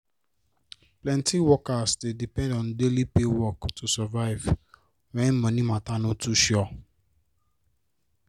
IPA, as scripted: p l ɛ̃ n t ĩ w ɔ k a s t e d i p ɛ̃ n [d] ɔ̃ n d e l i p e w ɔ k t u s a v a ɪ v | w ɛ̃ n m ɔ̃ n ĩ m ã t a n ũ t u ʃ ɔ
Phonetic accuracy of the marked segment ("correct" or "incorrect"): correct